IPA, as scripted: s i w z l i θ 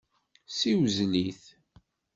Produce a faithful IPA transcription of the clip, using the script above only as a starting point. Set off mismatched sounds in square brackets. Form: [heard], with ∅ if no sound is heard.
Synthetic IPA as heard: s i w z l i θ